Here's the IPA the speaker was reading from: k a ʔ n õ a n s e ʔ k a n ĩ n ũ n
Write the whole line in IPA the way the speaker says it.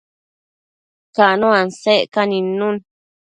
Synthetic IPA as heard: k a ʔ n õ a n s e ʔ k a n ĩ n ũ n